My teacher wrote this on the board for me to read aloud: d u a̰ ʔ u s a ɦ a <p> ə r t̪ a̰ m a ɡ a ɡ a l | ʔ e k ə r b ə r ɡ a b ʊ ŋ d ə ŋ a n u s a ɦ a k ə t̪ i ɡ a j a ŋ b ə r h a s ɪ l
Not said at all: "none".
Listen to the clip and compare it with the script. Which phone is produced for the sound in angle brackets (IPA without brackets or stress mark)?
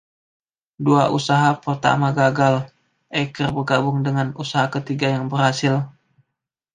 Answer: p